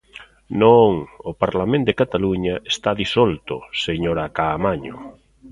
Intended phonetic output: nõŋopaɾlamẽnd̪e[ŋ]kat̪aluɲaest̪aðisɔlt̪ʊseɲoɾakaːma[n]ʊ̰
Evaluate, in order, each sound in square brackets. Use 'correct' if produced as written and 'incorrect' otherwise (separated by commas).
incorrect, incorrect